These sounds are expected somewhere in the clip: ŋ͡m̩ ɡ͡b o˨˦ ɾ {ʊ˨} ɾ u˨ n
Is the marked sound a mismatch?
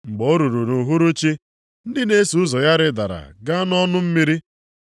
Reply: yes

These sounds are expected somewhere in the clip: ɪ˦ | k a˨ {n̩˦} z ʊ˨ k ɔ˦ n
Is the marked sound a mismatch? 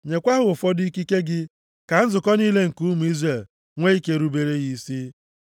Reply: no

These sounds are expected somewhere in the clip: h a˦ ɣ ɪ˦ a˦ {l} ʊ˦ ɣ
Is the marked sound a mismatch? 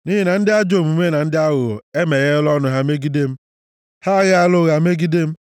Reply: no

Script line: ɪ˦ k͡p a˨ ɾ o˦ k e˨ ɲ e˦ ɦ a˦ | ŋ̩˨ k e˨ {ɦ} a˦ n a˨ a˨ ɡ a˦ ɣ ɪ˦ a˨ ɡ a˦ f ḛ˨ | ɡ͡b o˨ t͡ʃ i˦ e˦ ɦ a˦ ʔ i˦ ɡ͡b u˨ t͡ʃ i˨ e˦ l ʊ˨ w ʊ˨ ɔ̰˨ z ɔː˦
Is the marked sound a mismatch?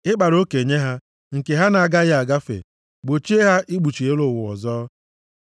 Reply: no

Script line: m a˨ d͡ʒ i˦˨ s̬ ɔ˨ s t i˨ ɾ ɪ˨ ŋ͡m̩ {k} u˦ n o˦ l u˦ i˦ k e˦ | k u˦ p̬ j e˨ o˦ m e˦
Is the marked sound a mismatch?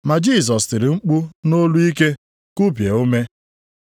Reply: yes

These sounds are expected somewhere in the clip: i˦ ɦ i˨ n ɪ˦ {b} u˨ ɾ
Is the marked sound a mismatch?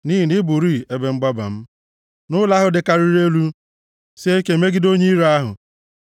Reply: no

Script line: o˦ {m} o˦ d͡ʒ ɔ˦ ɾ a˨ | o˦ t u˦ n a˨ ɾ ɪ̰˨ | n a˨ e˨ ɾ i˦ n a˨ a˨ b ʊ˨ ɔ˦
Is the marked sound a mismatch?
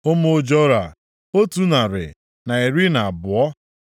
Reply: no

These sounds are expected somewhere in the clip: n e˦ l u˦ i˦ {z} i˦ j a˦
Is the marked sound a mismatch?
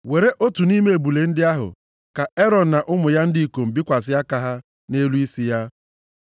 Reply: yes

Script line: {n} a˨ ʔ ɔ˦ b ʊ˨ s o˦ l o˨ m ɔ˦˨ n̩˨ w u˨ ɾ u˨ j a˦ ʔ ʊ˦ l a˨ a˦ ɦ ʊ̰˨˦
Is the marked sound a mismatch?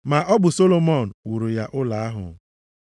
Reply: yes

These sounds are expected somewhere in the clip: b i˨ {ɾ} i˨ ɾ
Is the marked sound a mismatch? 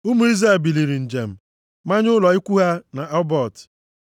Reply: yes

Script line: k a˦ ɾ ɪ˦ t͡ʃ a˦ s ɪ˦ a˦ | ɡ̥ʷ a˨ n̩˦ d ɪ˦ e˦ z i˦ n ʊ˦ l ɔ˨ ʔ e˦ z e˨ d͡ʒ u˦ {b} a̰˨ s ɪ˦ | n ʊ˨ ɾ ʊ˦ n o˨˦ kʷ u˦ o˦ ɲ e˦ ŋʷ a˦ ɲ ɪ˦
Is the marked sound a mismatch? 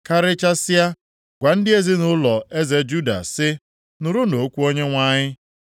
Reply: yes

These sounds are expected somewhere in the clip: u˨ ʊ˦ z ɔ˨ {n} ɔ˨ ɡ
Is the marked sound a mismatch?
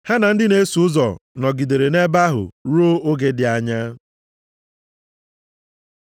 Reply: no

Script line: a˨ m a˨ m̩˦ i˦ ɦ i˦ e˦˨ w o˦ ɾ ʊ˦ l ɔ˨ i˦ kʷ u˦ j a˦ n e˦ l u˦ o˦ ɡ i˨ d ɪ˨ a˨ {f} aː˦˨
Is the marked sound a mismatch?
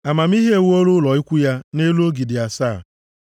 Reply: yes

